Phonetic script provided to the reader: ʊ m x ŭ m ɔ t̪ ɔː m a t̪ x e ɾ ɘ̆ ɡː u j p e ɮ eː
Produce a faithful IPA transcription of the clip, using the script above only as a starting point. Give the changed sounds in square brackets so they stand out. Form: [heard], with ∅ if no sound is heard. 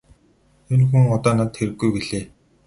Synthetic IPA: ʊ [n] x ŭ [ŋ] ɔ t̪ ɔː [n] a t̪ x e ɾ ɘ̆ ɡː u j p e ɮ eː